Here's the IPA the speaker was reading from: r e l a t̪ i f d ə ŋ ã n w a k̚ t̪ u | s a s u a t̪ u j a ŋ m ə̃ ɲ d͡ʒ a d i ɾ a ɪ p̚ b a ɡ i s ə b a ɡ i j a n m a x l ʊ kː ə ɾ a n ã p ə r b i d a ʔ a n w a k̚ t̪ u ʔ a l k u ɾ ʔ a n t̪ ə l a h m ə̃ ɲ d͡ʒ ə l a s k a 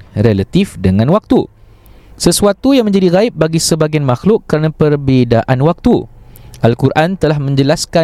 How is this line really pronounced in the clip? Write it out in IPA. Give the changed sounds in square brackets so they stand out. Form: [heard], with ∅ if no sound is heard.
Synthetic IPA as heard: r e l a t̪ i f d ə ŋ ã n w a k̚ t̪ u | s [ə] s u a t̪ u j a ŋ m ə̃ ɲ d͡ʒ a d i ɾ a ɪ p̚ b a ɡ i s ə b a ɡ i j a n m a x l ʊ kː ə ɾ a n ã p ə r b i d a ʔ a n w a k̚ t̪ u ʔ a l k u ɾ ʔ a n t̪ ə l a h m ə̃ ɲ d͡ʒ ə l a s k a